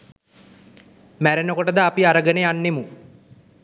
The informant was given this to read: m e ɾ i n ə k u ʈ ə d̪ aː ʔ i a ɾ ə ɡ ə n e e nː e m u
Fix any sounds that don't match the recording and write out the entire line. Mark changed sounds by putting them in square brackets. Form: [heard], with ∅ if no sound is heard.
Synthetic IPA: m [æ] ɾ [e] n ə k [o] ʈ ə d̪ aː [p] i a ɾ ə ɡ ə n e [a] nː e m u